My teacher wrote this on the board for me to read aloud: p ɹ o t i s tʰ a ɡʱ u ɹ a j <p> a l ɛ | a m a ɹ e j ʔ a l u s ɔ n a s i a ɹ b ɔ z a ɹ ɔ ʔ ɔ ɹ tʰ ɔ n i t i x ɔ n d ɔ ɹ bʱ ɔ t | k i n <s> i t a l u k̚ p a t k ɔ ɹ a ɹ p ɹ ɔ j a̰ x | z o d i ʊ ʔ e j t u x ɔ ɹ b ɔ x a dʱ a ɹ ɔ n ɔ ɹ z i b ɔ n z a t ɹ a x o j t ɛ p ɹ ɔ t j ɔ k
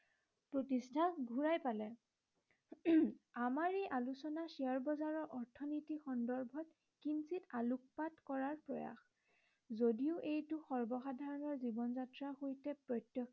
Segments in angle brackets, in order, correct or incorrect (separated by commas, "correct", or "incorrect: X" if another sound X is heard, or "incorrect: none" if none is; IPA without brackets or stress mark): correct, correct